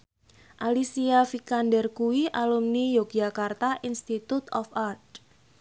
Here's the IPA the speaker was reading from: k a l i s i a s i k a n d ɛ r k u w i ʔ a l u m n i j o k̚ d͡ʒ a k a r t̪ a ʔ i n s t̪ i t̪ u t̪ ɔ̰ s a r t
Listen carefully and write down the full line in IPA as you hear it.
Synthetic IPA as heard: ʔ a l i s i a f i k a n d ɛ r k u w i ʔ a l u m n i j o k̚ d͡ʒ a k a r t̪ a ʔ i n s t̪ i t̪ u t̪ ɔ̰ f a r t